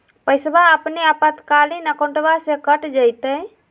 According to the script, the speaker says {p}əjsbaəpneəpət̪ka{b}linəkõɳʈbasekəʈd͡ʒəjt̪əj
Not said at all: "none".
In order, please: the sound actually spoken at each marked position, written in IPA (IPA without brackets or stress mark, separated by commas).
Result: p, none